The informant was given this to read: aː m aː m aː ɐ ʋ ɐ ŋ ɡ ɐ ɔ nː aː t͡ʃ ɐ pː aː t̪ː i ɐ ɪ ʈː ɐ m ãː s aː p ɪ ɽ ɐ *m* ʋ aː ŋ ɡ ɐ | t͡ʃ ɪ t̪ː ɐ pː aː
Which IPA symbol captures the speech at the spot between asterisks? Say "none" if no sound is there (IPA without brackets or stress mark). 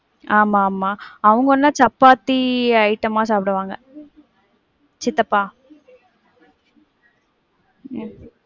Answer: none